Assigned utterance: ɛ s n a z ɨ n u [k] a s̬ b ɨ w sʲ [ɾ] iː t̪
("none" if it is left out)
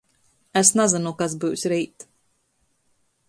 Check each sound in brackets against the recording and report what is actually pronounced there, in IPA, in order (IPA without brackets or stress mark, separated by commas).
k, ɾ